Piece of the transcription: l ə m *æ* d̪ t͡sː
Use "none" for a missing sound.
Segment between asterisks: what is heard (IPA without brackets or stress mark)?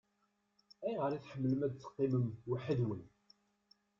æ